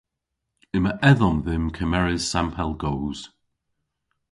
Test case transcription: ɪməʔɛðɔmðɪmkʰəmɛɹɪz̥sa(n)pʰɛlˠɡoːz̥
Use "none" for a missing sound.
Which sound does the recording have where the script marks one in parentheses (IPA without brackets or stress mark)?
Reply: m